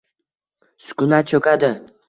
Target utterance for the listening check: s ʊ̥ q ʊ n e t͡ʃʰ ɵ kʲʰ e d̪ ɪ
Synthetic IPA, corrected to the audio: s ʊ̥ k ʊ n a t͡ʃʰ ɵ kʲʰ a d̪ ɪ